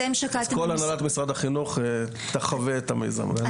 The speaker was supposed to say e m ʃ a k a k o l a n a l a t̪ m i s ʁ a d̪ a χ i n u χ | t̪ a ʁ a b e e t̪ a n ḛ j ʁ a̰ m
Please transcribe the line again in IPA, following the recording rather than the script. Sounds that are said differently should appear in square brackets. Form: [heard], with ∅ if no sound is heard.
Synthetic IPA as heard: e m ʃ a k a k o l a n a l a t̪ m i s ʁ a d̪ a χ i n u χ | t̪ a [χ] a [v] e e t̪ a [m] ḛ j [z] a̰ m